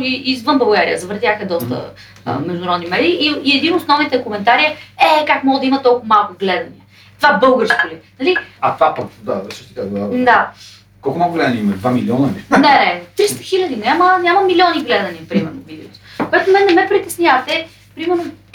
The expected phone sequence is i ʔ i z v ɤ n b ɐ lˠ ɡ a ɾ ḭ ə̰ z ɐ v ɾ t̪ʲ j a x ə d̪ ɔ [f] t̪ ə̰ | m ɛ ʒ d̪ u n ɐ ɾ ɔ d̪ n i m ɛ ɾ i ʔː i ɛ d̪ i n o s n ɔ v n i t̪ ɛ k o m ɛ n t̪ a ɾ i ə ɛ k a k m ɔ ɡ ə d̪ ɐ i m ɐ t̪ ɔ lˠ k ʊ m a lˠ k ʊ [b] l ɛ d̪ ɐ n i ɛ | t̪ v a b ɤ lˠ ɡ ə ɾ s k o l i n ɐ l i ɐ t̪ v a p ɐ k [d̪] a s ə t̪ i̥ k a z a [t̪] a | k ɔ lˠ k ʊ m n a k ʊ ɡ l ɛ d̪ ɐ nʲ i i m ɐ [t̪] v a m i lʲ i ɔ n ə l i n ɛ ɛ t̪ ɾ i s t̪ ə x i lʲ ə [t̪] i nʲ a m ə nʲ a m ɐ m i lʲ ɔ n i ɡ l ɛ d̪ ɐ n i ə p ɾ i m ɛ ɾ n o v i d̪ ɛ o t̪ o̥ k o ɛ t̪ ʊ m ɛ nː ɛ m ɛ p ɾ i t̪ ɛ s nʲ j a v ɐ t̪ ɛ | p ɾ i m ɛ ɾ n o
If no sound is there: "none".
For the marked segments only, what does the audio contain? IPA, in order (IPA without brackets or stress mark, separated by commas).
s, ɡ, d̪, d̪, d̪, d̪